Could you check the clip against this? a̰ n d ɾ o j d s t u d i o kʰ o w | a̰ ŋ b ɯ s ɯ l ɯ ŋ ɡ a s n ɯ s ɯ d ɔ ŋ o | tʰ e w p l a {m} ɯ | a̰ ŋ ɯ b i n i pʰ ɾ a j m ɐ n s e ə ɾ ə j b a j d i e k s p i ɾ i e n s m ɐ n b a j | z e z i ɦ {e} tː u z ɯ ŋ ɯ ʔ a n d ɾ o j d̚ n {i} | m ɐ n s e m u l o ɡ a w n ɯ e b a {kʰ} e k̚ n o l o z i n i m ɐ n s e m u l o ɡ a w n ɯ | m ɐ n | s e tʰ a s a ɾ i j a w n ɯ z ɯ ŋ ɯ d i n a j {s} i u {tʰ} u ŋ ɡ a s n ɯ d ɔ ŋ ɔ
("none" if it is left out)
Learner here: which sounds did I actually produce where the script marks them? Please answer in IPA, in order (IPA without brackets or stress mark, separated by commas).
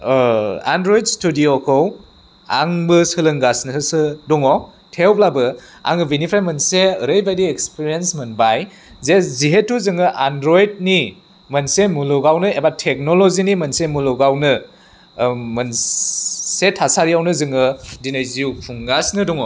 b, e, i, tʰ, z, pʰ